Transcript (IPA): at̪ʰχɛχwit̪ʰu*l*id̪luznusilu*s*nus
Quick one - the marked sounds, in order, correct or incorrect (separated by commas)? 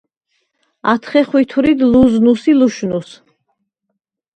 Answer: incorrect, incorrect